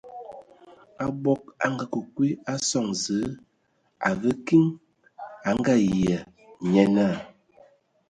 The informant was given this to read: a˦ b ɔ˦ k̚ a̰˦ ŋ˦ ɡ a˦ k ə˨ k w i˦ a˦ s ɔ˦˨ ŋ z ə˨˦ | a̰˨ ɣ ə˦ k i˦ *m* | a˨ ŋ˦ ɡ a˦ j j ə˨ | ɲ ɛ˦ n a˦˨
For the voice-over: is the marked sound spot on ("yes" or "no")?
no